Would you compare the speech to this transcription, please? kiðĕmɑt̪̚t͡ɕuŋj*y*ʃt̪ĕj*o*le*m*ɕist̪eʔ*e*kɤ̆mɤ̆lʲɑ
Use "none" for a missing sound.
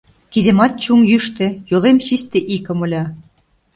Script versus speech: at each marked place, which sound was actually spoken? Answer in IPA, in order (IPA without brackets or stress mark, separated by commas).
y, o, m, i